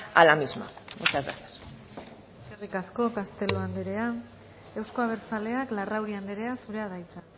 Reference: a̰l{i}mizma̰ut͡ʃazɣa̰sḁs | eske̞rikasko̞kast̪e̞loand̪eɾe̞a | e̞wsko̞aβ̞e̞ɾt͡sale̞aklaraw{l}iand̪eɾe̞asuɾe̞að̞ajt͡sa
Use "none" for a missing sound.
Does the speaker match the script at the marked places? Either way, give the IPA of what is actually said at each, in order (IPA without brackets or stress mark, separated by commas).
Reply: a, ɾ